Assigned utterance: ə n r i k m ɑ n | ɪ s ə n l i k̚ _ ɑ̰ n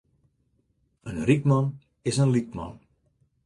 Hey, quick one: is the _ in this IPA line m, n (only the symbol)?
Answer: m